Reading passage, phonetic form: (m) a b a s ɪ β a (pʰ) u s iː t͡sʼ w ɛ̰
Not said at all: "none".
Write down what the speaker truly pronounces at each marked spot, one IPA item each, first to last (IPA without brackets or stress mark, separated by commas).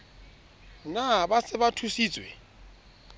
n, tʰ